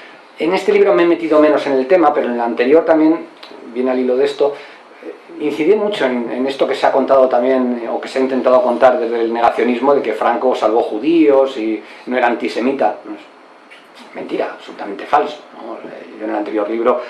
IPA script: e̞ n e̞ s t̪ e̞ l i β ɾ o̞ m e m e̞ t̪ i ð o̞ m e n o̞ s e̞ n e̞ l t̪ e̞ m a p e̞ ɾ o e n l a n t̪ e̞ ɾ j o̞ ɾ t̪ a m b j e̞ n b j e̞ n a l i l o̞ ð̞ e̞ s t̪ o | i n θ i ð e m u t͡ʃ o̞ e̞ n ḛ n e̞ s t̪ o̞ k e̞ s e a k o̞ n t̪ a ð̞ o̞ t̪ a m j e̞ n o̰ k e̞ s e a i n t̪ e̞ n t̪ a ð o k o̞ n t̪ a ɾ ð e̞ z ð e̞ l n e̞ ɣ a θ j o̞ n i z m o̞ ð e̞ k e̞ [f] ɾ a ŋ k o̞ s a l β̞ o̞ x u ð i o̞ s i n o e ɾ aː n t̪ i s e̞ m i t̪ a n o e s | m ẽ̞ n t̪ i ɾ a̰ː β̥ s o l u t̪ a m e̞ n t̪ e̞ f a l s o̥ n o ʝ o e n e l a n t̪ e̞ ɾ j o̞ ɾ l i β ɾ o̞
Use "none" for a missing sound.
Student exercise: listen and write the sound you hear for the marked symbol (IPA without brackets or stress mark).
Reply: f